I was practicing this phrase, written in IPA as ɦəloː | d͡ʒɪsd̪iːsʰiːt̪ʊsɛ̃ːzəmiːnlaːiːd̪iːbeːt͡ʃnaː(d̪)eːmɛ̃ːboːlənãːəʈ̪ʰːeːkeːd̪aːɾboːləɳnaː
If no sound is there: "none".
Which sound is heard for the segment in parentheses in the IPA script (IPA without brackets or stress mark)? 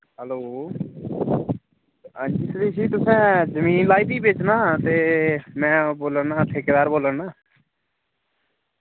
t̪